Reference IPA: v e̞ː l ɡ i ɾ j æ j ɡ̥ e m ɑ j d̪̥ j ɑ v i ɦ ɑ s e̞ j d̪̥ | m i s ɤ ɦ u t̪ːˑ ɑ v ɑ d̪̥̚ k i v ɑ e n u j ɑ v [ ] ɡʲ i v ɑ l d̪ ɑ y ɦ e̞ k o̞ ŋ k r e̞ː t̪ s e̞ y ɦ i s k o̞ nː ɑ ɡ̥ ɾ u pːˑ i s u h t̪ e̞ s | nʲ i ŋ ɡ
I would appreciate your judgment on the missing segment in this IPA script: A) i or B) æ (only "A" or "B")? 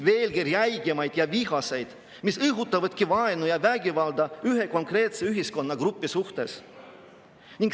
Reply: B